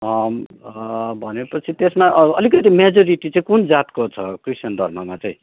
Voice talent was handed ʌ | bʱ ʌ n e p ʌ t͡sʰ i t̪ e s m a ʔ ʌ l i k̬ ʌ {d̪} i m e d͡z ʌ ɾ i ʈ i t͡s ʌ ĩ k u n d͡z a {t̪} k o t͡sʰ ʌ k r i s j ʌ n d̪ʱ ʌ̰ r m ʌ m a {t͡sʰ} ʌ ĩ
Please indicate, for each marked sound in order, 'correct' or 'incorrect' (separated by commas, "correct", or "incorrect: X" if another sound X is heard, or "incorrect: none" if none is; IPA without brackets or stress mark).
incorrect: t̪, correct, incorrect: t͡s